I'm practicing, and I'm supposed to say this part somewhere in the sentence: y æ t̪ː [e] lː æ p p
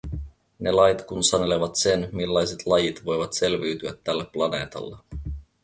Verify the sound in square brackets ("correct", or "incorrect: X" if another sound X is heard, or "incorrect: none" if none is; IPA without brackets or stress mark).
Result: incorrect: æ